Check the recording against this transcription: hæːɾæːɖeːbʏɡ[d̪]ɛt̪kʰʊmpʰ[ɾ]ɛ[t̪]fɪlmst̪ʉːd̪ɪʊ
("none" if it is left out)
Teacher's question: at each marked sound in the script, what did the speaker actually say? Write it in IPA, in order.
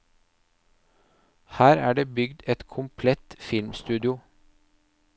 d̪, l, t̪

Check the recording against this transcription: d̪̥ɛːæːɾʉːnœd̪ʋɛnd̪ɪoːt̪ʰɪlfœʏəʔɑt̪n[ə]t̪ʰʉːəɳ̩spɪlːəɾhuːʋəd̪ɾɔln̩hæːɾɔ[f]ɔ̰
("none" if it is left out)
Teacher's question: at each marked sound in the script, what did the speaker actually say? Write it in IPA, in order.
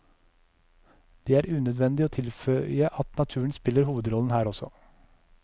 ɑ, s

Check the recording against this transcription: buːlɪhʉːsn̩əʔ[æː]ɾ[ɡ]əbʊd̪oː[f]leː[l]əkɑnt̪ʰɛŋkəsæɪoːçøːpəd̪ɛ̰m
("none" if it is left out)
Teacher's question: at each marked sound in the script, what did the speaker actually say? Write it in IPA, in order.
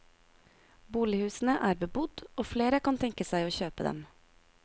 æː, b, f, ɾ

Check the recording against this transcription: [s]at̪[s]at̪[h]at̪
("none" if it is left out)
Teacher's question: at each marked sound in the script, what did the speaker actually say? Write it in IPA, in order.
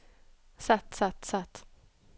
s, s, s

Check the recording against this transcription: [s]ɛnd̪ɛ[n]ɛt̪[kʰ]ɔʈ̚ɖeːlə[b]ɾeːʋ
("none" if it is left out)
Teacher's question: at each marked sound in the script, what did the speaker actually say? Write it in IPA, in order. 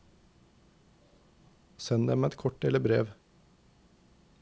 s, m, kʰ, b

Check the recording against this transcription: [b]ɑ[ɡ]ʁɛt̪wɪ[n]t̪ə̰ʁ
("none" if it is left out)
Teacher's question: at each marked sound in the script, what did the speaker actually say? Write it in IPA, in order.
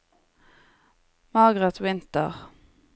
m, ɡ, n

